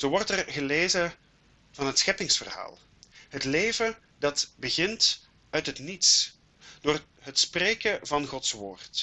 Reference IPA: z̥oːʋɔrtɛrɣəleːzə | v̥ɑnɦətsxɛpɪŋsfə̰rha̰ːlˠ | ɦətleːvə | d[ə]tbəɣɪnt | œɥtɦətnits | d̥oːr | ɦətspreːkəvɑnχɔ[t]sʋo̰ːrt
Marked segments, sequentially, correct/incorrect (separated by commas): incorrect, correct